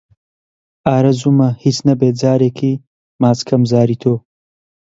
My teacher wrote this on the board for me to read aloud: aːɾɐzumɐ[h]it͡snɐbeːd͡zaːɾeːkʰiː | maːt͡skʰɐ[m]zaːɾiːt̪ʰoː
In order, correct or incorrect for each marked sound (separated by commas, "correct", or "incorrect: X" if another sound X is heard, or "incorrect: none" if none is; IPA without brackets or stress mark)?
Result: correct, correct